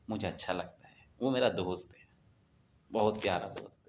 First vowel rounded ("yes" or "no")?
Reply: yes